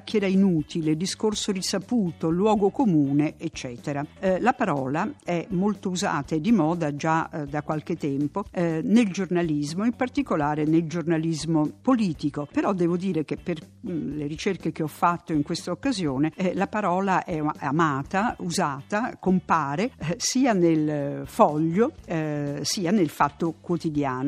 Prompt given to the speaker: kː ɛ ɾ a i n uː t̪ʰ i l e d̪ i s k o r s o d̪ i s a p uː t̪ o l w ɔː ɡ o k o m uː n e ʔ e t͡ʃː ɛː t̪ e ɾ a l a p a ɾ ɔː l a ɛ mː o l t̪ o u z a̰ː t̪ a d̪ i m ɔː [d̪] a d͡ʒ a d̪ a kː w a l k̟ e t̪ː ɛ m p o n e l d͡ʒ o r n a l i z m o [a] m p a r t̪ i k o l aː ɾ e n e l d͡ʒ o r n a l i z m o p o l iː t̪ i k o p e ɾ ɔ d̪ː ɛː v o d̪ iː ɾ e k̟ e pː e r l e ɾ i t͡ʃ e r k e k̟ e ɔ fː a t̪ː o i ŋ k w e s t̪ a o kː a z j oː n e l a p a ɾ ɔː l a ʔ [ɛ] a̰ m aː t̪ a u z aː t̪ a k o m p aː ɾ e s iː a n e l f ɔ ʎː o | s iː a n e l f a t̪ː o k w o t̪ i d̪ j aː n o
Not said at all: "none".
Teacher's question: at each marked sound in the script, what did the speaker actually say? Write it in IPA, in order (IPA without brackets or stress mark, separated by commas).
d̪, i, ɛ